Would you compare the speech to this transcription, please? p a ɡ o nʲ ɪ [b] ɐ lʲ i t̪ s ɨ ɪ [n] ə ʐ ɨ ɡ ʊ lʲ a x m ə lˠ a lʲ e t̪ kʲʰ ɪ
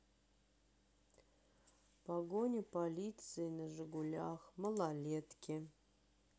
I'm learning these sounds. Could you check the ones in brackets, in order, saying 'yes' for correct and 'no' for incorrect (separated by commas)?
no, yes